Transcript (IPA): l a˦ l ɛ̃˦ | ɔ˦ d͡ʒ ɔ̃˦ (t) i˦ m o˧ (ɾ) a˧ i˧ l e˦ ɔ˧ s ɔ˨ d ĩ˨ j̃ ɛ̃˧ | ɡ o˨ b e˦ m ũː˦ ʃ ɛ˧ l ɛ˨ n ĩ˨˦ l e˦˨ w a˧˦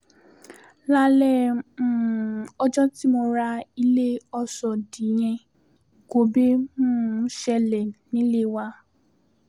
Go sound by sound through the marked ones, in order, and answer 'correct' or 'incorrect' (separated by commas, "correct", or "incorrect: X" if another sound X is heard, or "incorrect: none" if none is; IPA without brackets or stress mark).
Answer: correct, correct